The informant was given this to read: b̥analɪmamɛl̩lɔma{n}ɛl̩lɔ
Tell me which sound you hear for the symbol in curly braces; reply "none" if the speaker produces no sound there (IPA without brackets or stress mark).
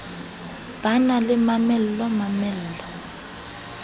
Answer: m